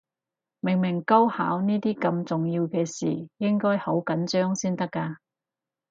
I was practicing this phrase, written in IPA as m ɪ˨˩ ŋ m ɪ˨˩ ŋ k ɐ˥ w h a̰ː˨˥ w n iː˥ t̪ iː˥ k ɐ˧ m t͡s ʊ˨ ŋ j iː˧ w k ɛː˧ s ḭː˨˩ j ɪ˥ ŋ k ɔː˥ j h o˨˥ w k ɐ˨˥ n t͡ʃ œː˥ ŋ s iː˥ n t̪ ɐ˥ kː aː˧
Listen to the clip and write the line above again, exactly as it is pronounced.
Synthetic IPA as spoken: m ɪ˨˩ ŋ m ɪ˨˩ ŋ k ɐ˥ w h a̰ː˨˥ w n iː˥ t̪ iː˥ k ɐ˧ m t͡s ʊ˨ ŋ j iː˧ w k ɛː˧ s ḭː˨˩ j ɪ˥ ŋ k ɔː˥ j h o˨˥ w k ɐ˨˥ n t͡ʃ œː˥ ŋ s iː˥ n t̪ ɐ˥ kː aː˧